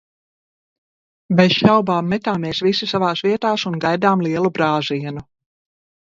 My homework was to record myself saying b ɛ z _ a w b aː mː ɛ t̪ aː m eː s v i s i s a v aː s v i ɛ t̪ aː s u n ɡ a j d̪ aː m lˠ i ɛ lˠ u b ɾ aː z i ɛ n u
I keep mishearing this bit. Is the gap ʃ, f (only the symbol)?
ʃ